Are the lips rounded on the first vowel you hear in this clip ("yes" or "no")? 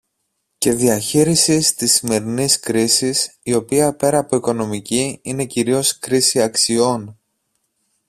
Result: no